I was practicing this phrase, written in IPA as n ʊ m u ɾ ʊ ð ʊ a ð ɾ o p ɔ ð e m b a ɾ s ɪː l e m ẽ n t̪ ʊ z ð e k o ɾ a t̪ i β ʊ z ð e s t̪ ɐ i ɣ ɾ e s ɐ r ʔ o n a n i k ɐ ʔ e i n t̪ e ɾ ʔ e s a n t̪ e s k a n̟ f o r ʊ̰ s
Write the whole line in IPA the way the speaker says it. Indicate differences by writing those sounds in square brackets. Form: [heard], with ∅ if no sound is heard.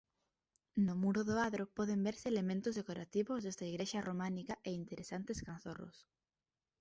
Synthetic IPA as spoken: n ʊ m u ɾ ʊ ð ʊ a ð ɾ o p ɔ ð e m b [e] ɾ s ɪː l e m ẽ n t̪ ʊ z ð e k o ɾ a t̪ i β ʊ z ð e s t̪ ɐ i ɣ ɾ e [ʃ] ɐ r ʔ o [m] a n i k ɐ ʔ e i n t̪ e ɾ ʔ e s a n t̪ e s k a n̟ [θ] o r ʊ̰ s